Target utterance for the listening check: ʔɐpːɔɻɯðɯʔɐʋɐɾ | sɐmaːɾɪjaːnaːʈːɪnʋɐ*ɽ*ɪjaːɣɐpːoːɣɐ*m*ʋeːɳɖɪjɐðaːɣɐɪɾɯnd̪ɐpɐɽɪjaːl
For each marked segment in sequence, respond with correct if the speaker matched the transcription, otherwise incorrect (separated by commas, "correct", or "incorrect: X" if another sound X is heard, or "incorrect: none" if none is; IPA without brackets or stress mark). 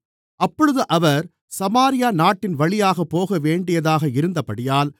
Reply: incorrect: ɭ, incorrect: none